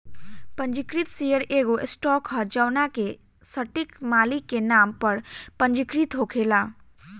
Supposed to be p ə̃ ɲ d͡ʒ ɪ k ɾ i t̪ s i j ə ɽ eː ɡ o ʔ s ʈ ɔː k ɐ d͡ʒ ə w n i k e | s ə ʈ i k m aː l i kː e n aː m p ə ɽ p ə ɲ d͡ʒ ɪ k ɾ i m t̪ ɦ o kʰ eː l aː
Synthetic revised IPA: p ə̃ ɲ d͡ʒ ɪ k ɾ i t̪ s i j ə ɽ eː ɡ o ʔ s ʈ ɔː k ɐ d͡ʒ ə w n a k e | s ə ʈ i k m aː l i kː e n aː m p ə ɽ p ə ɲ d͡ʒ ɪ k ɾ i t̪ ɦ o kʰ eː l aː